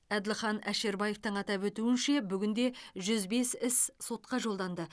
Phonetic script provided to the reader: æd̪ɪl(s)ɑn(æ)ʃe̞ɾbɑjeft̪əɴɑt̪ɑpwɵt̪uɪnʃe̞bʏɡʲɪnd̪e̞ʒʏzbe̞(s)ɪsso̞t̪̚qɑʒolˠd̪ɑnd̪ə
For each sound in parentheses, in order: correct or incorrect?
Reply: incorrect: χ, correct, correct

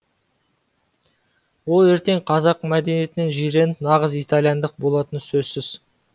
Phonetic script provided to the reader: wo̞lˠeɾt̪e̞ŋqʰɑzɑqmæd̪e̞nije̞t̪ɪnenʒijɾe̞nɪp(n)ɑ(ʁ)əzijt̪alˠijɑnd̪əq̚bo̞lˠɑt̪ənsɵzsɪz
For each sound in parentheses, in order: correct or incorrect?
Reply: correct, correct

